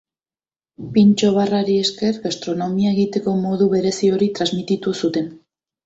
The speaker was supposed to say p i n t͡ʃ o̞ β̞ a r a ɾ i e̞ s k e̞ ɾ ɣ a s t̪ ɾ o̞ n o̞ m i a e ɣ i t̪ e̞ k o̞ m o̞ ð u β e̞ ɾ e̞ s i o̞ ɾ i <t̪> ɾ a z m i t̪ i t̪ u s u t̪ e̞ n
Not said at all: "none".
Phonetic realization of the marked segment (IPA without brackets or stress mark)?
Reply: t̪